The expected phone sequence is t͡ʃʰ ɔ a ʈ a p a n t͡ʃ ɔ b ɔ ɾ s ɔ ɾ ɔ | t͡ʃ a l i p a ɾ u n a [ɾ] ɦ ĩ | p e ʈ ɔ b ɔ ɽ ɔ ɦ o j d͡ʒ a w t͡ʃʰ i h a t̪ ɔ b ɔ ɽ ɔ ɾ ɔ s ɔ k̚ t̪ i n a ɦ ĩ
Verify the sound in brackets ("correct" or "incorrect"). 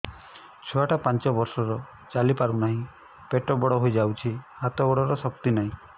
incorrect